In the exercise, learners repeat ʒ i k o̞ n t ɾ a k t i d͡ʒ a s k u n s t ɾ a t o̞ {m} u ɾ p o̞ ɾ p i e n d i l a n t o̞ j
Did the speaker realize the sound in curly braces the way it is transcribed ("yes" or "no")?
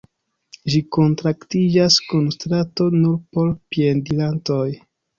no